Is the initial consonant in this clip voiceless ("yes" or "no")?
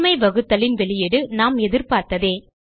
no